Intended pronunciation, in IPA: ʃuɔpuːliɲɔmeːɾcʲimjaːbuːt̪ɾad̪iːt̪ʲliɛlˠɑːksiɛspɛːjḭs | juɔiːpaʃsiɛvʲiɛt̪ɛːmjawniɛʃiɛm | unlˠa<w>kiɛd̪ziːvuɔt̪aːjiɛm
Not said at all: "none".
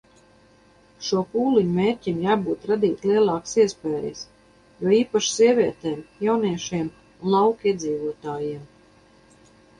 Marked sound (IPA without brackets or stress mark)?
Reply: w